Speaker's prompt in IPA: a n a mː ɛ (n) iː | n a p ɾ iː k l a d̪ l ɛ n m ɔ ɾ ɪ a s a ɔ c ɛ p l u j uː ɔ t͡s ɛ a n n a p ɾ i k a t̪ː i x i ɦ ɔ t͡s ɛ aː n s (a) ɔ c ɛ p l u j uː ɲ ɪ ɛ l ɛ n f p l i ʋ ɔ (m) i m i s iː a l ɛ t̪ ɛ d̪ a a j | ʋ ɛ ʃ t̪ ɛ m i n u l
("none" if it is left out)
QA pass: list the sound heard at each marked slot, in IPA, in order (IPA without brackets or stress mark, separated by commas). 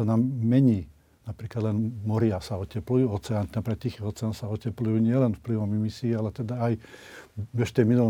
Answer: ɲ, a, m